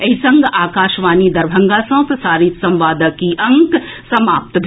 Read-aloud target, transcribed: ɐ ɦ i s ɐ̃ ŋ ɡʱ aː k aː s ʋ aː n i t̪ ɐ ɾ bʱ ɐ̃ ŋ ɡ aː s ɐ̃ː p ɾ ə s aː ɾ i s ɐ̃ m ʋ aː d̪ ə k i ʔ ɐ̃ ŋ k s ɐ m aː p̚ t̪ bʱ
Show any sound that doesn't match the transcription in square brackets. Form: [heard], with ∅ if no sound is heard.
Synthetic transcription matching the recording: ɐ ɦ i s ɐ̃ ŋ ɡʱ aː k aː [ʃ] ʋ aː n i [d̪] ɐ ɾ bʱ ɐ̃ ŋ ɡ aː s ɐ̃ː p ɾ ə s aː ɾ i s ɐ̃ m ʋ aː d̪ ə k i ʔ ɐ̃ ŋ k s ɐ m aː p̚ t̪ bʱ